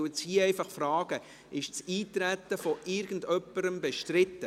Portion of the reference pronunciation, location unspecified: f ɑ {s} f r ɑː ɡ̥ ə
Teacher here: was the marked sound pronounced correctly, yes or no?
no